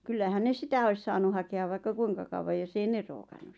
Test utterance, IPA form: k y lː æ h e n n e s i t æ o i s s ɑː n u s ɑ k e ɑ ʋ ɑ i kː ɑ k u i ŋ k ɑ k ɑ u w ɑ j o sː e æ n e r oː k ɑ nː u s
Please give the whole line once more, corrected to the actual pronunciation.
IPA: k y lː æ h æ n n e s i t æ o i s s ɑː n u h ɑ k e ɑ ʋ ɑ i kː ɑ k u i ŋ k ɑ k ɑ u w ɑ j o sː e i n e r oː k ɑ nː u s